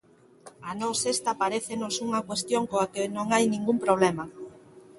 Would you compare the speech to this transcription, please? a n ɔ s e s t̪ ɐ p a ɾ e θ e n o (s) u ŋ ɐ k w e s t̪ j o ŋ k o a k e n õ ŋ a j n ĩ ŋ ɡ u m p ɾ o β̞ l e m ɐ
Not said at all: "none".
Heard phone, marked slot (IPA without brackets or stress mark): s